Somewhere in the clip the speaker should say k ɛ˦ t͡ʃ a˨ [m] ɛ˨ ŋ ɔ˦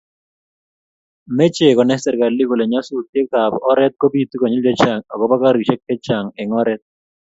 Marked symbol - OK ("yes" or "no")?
no